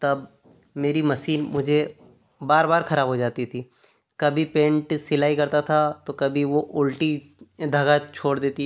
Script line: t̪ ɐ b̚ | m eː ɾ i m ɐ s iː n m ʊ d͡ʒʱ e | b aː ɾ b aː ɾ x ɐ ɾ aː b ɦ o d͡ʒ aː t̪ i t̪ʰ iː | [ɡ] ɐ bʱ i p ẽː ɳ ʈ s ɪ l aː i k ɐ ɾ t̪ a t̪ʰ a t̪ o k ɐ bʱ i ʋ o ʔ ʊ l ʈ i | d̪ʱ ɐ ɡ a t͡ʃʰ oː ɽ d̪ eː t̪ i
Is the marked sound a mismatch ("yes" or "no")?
yes